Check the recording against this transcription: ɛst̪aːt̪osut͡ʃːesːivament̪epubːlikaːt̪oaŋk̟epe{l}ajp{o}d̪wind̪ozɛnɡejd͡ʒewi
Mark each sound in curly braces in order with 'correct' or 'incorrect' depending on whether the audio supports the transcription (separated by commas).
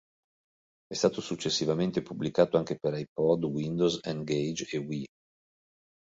incorrect, incorrect